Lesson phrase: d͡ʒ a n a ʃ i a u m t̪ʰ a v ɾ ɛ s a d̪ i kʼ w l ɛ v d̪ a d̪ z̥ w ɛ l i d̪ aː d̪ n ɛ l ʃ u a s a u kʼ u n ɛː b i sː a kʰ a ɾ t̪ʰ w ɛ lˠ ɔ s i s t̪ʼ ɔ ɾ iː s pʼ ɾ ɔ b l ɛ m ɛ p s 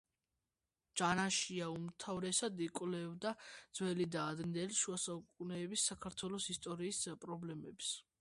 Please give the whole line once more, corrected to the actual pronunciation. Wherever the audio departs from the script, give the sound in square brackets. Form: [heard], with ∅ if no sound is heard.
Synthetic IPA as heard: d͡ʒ a n a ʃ i a u m t̪ʰ a v ɾ ɛ s a d̪ i kʼ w l ɛ v d̪ a d̪ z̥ w ɛ l i d̪ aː d̪ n ɛ l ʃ u a s a u kʼ u n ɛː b i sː a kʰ a ɾ t̪ʰ w ɛ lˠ ɔ s i s t̪ʼ ɔ ɾ iː s pʼ ɾ ɔ b l ɛ m ɛ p s